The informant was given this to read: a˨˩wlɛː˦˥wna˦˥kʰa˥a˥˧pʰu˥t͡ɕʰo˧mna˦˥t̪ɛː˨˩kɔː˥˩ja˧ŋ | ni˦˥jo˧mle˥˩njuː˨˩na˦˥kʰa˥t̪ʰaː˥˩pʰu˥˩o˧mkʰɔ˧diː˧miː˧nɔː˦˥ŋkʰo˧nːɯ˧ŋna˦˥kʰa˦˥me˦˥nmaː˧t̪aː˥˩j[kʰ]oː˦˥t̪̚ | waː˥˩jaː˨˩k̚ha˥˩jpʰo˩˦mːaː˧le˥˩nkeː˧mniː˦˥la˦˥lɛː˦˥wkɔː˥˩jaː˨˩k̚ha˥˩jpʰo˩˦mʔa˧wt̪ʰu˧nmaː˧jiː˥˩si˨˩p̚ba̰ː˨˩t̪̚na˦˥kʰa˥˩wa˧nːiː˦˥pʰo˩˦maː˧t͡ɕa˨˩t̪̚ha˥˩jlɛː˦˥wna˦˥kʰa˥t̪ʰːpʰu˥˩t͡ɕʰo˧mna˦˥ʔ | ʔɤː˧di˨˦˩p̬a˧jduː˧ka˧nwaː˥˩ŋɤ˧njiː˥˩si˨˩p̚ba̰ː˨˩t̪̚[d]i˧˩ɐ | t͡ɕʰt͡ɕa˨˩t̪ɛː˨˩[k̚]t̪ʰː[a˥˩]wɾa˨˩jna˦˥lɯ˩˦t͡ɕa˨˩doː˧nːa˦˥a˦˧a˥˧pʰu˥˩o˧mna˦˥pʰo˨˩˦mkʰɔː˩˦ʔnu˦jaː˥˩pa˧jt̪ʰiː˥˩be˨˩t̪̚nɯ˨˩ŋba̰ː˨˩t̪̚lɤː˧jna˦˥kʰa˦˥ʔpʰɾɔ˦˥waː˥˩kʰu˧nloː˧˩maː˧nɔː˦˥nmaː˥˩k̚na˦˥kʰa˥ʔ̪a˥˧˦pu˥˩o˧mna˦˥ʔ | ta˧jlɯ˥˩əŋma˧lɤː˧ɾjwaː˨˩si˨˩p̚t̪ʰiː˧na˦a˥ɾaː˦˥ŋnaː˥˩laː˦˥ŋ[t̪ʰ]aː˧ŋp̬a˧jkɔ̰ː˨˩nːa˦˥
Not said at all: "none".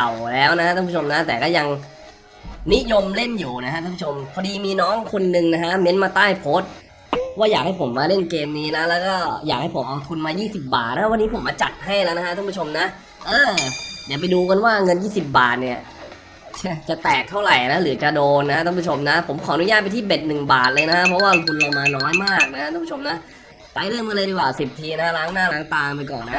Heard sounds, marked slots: pʰ, n, k̚, a˥˩, t̪

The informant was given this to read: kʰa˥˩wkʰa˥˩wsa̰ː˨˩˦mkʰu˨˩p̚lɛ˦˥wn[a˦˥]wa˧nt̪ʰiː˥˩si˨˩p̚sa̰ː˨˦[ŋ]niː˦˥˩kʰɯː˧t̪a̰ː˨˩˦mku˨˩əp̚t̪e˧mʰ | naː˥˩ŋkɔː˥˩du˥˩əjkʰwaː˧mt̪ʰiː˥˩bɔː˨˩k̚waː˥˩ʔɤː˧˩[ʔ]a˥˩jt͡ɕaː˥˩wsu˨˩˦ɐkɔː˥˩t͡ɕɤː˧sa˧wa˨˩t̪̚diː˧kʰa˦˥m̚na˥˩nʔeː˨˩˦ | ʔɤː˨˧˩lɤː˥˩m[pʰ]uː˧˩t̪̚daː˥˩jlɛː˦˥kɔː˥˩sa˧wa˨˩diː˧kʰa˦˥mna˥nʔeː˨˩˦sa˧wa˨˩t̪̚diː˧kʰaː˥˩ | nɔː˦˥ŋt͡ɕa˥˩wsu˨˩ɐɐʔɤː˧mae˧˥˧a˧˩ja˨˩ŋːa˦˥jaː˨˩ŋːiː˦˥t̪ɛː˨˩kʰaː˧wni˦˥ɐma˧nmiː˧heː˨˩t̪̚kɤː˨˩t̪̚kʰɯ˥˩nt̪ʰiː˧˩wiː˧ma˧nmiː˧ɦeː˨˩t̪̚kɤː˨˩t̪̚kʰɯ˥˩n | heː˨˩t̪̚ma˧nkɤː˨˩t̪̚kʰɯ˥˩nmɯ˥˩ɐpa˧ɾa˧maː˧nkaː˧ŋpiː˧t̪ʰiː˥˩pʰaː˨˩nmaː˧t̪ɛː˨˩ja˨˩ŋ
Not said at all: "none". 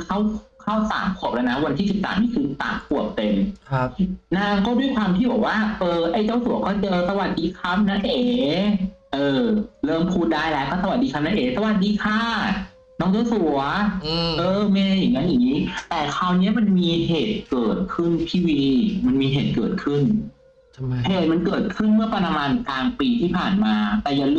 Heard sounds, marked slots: a˦˥, m, ʔ, pʰ

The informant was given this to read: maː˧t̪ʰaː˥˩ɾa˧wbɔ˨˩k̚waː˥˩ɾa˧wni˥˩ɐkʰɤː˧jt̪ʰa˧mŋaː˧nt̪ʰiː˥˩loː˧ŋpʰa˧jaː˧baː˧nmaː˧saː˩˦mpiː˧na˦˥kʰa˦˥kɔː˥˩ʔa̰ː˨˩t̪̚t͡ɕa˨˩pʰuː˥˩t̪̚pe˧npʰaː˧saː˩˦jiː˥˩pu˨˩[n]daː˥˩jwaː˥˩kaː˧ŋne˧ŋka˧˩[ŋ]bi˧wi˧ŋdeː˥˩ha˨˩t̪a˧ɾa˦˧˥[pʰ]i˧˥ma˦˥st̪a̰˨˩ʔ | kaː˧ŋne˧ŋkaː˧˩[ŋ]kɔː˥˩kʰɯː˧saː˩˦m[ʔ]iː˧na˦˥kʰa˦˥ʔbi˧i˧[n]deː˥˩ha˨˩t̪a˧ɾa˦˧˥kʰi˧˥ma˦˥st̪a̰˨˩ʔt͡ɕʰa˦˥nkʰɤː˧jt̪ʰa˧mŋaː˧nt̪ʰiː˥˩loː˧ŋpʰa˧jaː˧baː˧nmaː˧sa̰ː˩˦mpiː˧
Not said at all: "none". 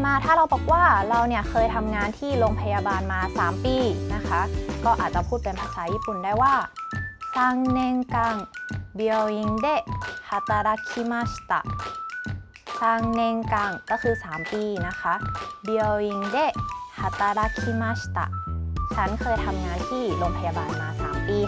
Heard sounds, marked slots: n, ŋ, kʰ, ŋ, p, ŋ

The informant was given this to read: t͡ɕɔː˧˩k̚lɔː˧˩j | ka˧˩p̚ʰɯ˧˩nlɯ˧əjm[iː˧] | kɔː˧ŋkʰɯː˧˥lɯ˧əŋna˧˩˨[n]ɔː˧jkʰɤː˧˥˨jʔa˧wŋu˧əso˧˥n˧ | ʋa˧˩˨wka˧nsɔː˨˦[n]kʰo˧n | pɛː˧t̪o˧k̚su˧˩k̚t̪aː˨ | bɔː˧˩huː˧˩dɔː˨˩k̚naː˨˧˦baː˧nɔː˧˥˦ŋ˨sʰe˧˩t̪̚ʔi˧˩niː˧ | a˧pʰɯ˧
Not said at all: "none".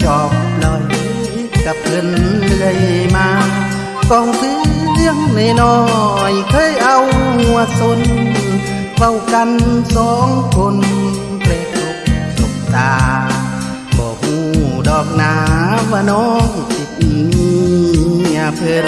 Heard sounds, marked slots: aː˧, n, ŋ

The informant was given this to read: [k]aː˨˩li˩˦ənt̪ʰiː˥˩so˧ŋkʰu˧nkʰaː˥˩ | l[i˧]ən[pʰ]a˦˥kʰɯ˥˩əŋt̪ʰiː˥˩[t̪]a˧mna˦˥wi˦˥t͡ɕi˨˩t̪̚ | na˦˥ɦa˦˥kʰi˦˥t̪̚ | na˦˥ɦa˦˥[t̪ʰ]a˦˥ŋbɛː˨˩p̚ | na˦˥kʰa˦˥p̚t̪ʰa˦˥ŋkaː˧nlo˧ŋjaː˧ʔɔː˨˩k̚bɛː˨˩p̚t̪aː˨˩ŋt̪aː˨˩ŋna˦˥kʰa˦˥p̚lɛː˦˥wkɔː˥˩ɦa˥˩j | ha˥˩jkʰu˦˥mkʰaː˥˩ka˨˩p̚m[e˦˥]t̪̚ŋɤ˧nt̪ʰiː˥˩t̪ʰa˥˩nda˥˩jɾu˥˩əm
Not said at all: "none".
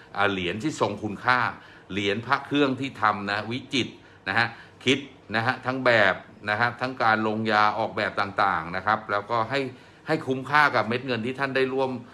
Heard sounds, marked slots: ʔ, i˩˦, pʰ, t̪ʰ, t̪ʰ, e˦˥

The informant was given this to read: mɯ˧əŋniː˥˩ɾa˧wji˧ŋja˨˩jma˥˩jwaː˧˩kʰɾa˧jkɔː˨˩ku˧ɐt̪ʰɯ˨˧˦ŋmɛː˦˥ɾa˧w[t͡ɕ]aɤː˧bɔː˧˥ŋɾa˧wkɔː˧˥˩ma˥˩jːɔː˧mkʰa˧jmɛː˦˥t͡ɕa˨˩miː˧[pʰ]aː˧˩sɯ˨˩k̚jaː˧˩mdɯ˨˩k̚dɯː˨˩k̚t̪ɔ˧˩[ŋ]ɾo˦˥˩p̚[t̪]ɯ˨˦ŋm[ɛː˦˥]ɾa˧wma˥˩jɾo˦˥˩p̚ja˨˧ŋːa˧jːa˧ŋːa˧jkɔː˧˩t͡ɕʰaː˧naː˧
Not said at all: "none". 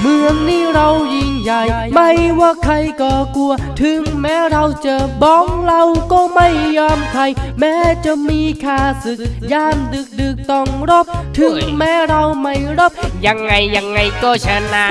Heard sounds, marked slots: t͡ɕ, kʰ, ŋ, t̪ʰ, ɛː˦˥

